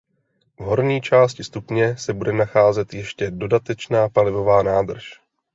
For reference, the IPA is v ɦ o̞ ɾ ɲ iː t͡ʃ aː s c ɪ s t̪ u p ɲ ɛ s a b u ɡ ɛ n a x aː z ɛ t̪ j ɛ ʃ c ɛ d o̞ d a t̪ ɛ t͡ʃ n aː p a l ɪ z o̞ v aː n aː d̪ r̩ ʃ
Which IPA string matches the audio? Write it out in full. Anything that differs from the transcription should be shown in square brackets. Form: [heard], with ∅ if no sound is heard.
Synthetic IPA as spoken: v ɦ o̞ ɾ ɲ iː t͡ʃ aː s c ɪ s t̪ u p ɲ ɛ s [ɛ] b u [d] ɛ n a x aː z ɛ t̪ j ɛ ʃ c ɛ d o̞ d a t̪ ɛ t͡ʃ n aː p a l ɪ [v] o̞ v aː n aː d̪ r̩ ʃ